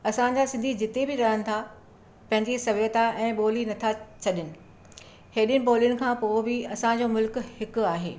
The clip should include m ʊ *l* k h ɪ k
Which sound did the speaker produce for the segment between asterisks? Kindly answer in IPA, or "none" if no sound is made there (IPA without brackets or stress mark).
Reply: l